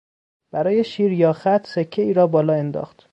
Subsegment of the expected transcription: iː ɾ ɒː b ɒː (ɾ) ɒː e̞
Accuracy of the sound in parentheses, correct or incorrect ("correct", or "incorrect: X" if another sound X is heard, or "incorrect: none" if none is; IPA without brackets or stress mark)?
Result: incorrect: l